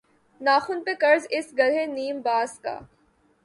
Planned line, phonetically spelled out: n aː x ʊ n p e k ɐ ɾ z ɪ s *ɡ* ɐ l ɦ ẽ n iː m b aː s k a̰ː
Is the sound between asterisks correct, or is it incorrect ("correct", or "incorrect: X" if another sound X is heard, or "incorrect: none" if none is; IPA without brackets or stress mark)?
correct